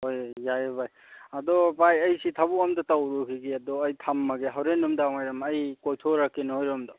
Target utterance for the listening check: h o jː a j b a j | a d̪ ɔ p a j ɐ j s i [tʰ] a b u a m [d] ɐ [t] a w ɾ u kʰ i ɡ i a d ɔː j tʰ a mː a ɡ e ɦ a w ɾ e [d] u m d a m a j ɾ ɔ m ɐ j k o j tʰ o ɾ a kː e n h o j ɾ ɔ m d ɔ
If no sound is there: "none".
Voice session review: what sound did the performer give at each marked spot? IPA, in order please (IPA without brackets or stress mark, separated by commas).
tʰ, d, t, n